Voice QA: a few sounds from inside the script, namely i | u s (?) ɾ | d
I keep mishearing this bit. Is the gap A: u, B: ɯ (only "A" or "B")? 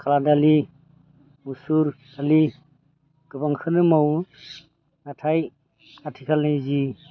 A